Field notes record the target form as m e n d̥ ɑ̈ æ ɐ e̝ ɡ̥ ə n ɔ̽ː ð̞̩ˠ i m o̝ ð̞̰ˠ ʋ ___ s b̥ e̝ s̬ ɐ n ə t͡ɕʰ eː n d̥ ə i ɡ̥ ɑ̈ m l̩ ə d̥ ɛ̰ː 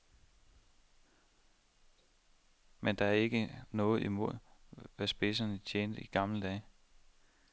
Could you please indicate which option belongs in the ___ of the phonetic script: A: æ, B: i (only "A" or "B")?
A